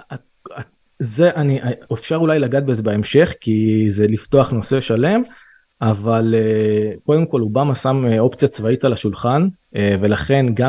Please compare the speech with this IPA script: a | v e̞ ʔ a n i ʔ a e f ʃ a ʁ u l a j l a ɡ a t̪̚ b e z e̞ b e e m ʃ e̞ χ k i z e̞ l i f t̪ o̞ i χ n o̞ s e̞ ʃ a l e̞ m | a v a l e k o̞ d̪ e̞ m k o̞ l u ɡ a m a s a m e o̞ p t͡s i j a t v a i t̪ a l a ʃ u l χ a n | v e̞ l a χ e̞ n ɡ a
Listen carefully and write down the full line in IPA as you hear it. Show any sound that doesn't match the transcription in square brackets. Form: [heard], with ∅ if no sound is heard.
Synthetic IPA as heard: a | [z] e̞ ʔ a n i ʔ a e f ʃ a ʁ u l a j l a ɡ a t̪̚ b e z e̞ b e e m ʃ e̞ χ k i z e̞ l i f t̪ o̞ [a] χ n o̞ s e̞ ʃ a l e̞ m | a v a l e k o̞ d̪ e̞ m k o̞ l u [b] a m a s a m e o̞ p t͡s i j a [t͡s] v a i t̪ a l a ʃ u l χ a n | v e̞ l a χ e̞ n ɡ a